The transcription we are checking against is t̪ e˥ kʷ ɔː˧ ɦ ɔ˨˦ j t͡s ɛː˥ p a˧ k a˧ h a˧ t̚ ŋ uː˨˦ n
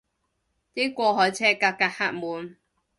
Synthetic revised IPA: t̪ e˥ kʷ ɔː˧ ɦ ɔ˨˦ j t͡sʰ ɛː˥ k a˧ k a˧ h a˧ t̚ m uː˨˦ n